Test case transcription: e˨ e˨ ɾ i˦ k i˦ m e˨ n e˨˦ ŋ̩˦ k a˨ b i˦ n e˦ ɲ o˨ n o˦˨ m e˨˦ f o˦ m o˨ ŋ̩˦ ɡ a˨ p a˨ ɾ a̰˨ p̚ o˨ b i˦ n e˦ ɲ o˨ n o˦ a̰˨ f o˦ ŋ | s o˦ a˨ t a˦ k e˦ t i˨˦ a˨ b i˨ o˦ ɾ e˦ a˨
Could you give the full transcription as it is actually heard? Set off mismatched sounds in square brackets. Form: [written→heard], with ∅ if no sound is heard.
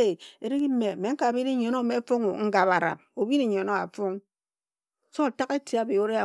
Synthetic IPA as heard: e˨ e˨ ɾ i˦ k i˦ m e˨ [n→m] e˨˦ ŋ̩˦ k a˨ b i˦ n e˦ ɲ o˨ n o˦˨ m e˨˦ f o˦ [m→ŋ] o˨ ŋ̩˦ ɡ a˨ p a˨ ɾ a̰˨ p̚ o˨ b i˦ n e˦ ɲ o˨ n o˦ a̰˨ f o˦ ŋ | s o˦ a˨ t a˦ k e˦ t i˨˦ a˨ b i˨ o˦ ɾ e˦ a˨